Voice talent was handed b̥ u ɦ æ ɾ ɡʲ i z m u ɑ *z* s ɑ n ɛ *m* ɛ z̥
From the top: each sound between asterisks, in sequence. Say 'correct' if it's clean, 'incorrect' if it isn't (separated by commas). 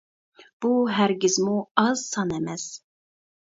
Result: correct, correct